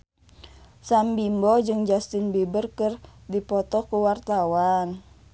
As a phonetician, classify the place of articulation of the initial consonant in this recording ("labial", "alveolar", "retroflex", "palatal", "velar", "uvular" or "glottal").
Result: alveolar